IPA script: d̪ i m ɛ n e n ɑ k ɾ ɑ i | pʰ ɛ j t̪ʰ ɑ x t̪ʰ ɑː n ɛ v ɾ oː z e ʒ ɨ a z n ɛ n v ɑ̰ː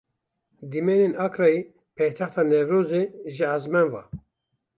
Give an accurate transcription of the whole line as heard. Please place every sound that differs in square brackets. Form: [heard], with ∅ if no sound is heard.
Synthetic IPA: d̪ i m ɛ n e n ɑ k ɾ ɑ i | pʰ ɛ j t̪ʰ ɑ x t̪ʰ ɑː n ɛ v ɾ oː z e ʒ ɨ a z [m] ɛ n v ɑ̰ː